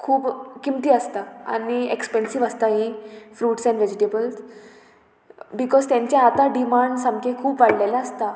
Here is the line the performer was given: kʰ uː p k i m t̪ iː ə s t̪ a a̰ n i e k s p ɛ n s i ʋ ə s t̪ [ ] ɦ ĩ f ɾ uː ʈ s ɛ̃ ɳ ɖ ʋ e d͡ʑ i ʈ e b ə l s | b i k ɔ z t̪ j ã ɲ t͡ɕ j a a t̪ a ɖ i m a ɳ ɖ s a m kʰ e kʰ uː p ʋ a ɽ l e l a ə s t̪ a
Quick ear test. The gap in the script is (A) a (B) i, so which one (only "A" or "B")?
A